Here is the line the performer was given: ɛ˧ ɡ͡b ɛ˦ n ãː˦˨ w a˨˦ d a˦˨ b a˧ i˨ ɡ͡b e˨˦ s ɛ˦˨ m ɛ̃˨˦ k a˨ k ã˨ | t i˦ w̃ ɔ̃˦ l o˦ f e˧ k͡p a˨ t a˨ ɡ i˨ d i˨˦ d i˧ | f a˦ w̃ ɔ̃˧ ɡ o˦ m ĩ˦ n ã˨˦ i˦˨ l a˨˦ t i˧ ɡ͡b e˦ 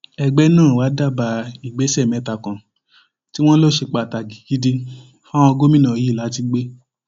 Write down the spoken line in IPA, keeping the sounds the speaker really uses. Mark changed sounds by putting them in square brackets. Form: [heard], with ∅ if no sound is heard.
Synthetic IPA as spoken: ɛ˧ ɡ͡b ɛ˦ n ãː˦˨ w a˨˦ d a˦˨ b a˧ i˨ ɡ͡b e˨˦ s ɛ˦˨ m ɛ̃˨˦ [t] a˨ k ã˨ | t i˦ w̃ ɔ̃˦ l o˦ [ʃ] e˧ k͡p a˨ t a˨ ɡ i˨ [ɡ] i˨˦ d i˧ | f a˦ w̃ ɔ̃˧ ɡ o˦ m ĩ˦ n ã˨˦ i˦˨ l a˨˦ t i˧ ɡ͡b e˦